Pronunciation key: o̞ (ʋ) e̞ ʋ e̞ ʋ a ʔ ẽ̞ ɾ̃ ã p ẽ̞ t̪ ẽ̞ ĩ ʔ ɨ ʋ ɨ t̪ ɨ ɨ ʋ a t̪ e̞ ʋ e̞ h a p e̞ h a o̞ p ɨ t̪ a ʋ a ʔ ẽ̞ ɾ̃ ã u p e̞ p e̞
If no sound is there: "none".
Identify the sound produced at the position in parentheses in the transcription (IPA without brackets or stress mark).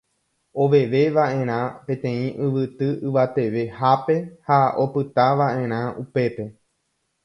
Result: ʋ